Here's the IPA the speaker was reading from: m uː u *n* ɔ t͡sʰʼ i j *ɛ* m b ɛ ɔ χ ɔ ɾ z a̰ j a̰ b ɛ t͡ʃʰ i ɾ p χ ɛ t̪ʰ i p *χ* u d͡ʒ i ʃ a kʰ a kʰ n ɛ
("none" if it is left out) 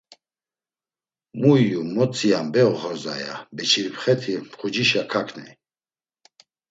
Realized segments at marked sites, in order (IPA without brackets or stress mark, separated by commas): m, a, χ